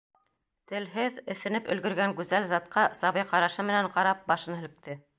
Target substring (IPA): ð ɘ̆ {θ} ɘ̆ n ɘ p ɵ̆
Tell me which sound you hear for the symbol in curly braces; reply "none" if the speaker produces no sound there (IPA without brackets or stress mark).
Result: θ